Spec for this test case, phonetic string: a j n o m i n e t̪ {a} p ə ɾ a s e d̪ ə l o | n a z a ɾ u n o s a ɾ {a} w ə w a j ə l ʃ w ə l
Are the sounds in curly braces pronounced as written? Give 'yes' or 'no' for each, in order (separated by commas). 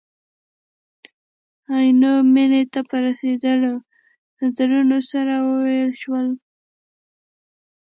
yes, yes